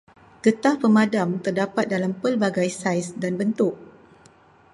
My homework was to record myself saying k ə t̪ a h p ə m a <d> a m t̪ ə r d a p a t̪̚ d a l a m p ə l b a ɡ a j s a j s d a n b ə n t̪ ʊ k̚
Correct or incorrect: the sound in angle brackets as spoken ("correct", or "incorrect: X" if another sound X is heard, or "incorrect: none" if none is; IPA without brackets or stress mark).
correct